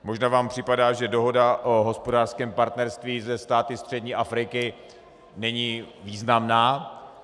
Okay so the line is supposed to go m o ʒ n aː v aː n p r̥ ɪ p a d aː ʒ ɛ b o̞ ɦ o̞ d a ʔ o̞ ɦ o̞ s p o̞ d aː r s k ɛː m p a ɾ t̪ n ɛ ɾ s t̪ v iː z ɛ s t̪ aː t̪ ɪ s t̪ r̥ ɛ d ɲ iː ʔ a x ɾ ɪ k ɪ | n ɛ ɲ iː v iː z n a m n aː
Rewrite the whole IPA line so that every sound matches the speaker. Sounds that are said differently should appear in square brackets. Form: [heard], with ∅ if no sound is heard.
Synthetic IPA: m o ʒ n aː v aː [m] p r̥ ɪ p a d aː ʒ ɛ [d] o̞ ɦ o̞ d a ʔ o̞ ɦ o̞ s p o̞ d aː r s k ɛː m p a ɾ t̪ n ɛ ɾ s t̪ v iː z ɛ s t̪ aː t̪ ɪ s t̪ r̥ ɛ d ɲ iː ʔ a [f] ɾ ɪ k ɪ | n ɛ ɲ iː v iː z n a m n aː